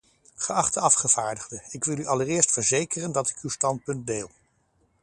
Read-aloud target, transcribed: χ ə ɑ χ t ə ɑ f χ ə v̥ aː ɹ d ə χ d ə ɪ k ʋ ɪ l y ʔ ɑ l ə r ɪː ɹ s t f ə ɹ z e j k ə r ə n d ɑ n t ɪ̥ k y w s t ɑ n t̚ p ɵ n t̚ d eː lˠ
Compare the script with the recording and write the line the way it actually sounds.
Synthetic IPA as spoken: χ ə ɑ χ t ə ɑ f χ ə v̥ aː ɹ d ə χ d ə ɪ k ʋ ɪ l y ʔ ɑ l ə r ɪː ɹ s t f ə ɹ z e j k ə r ə n d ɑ t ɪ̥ k y w s t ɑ n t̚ p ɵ n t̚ d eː lˠ